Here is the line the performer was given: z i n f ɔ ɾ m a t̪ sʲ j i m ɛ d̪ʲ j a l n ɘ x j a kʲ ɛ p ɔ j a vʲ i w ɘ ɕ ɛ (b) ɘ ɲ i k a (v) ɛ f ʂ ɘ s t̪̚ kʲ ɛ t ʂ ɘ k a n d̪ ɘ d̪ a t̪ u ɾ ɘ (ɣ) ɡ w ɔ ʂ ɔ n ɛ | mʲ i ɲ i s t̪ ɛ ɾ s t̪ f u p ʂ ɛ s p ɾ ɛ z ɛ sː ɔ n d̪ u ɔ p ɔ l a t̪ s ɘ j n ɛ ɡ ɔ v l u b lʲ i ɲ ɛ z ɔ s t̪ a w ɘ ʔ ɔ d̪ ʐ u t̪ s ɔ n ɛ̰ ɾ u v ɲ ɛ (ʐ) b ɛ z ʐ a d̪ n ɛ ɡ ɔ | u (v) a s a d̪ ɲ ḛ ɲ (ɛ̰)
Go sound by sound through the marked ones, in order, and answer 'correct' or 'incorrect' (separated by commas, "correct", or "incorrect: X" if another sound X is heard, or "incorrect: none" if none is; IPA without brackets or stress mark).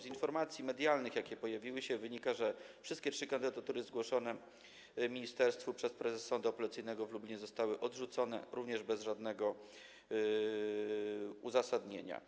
incorrect: v, incorrect: ʐ, incorrect: z, correct, incorrect: z, incorrect: a̰